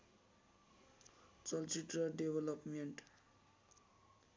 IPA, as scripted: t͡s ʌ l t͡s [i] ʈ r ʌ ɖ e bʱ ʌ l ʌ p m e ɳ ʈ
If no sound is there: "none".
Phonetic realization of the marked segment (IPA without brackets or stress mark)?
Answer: i